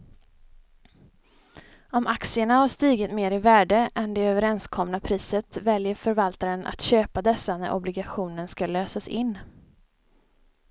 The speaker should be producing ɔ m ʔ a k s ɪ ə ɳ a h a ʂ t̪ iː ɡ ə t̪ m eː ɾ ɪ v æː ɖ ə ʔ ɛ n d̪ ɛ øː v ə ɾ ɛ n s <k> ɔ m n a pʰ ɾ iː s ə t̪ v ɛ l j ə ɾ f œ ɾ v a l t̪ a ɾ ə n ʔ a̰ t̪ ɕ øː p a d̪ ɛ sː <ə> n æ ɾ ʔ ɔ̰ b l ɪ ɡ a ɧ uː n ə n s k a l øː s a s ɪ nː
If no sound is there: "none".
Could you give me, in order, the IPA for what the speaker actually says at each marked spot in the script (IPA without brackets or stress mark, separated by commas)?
kʰ, a